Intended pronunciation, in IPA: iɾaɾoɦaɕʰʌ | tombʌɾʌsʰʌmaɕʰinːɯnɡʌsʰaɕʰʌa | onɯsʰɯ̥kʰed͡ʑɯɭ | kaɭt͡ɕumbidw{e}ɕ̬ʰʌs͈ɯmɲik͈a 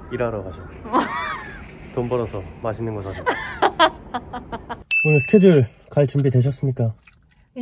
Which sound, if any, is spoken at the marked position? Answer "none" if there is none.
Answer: e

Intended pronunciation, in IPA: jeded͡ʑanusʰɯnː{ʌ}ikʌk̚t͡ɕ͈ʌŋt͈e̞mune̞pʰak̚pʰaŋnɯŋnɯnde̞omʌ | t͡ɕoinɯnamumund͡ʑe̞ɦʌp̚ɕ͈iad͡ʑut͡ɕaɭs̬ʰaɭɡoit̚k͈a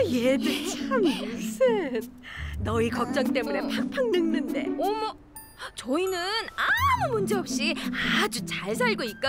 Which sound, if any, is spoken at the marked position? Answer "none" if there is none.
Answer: ʌ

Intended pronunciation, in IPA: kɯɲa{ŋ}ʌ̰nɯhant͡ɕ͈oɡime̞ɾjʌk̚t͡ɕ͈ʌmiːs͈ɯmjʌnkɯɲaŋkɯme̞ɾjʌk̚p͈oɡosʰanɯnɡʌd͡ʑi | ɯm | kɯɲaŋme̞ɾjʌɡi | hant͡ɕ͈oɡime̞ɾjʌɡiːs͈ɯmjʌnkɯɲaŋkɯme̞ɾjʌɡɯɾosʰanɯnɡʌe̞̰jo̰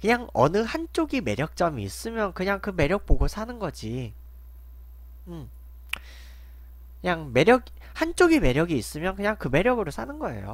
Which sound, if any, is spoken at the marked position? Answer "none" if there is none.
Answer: ŋ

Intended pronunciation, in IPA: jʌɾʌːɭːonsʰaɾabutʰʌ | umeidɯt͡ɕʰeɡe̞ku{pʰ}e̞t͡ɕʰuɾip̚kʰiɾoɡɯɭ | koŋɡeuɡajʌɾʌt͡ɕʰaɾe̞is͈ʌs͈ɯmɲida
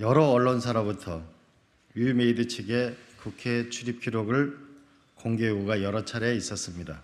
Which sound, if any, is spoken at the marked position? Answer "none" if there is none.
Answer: kʰ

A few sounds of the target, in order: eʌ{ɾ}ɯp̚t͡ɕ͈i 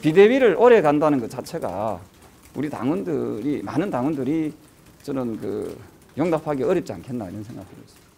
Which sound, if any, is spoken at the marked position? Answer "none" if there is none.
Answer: ɾ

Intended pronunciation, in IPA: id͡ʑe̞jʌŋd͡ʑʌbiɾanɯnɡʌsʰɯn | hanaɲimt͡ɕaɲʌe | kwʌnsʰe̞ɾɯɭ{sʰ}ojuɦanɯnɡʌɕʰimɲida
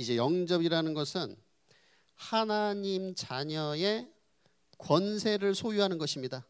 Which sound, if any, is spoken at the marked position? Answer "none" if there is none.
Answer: sʰ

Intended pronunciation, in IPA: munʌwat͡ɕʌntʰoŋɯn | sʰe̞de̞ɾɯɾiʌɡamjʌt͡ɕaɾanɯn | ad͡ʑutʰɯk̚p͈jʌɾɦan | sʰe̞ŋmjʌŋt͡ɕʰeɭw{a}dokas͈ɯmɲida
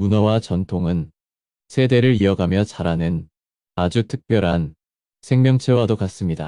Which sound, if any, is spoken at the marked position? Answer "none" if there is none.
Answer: a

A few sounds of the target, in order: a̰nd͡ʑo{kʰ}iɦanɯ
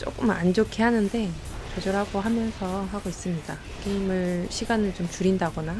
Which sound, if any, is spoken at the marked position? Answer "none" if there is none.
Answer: kʰ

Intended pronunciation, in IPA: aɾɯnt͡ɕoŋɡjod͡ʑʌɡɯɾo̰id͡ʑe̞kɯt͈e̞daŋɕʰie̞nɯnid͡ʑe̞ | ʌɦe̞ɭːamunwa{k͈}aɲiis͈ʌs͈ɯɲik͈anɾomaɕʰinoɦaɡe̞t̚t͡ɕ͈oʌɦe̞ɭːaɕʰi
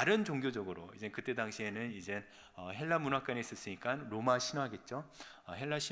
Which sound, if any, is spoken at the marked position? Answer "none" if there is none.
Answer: k͈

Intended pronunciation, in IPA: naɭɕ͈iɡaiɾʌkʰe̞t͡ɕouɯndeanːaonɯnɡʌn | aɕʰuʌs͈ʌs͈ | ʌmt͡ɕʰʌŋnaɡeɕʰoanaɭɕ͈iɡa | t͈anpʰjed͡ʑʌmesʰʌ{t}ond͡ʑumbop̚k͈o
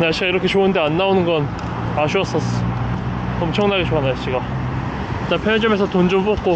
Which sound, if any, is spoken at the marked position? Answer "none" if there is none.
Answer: t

